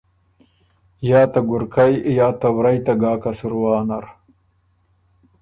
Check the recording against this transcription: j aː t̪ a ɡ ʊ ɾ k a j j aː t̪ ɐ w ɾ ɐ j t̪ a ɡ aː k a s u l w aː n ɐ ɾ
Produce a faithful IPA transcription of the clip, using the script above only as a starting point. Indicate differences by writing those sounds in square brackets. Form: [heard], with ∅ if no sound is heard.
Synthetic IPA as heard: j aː t̪ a ɡ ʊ ɾ k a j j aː t̪ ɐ w ɾ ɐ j t̪ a ɡ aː k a s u [ɾ] w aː n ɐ ɾ